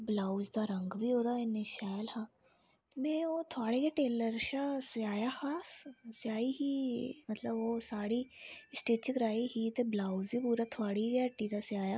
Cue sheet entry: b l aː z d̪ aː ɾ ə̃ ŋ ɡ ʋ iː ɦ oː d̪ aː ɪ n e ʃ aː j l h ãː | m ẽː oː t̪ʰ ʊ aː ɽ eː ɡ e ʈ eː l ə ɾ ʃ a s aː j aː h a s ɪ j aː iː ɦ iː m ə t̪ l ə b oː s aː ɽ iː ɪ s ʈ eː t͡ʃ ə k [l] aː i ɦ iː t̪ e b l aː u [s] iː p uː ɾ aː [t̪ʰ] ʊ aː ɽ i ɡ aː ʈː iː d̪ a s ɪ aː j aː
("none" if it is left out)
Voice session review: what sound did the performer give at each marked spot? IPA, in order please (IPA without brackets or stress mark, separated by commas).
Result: ɾ, z, t̪ʰ